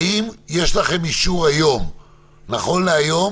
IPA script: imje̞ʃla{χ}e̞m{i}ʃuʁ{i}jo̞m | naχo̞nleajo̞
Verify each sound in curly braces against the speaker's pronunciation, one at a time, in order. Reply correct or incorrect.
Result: correct, correct, incorrect

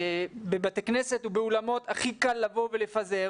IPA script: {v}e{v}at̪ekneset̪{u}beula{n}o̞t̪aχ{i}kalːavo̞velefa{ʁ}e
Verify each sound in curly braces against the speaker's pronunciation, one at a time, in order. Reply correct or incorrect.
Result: incorrect, incorrect, correct, incorrect, correct, incorrect

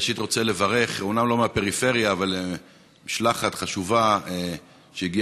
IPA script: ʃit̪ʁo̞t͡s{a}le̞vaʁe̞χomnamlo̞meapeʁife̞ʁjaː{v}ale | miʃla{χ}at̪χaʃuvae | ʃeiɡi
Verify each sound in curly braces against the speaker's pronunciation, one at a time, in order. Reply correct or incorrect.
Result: incorrect, correct, correct

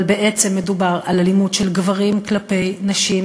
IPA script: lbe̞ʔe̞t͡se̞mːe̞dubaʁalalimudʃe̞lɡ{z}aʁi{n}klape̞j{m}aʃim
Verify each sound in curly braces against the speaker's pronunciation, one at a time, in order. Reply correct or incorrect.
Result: incorrect, incorrect, incorrect

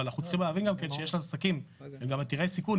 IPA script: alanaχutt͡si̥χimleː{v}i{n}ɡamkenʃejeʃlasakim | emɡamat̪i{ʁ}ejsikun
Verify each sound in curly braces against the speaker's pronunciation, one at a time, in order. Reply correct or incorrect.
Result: correct, correct, correct

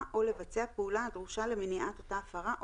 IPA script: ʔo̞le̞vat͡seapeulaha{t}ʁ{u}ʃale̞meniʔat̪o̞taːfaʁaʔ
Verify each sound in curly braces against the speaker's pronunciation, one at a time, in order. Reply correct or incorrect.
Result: incorrect, correct

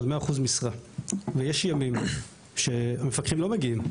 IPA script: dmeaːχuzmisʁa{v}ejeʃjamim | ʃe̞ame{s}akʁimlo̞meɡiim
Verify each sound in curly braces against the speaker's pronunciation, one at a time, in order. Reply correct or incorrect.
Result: correct, incorrect

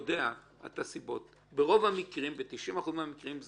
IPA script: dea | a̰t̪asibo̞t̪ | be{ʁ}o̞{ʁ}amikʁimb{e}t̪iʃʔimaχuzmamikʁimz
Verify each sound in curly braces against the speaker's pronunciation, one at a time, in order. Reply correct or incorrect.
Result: correct, incorrect, correct

